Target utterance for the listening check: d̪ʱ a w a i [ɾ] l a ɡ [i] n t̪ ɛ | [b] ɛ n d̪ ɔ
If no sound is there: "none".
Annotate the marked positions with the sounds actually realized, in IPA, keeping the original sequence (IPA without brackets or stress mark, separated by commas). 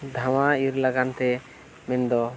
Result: ɾ, a, m